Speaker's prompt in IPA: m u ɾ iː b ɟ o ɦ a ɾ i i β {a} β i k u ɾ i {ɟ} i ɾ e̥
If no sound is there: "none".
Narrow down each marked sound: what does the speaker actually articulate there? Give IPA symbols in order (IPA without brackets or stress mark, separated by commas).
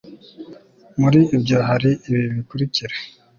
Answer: i, c